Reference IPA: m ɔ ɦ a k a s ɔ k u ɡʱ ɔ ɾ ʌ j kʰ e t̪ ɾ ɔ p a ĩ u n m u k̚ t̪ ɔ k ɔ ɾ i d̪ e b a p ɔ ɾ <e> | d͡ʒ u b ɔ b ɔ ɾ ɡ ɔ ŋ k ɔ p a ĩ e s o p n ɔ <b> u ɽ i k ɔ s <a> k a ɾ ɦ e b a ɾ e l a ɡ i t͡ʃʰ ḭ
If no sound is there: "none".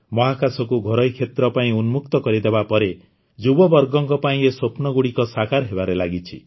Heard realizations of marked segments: e, ɡ, a

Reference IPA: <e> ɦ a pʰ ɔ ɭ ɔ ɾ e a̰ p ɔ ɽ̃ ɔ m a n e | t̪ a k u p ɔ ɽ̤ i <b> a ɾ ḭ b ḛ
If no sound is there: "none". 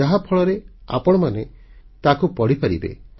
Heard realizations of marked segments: a, p

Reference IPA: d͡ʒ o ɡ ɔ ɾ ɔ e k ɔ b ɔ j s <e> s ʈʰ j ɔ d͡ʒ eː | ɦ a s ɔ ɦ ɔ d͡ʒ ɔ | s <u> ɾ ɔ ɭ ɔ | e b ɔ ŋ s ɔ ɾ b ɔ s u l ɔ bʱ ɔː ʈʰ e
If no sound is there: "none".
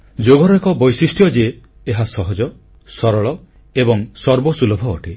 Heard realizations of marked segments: i, ɔ

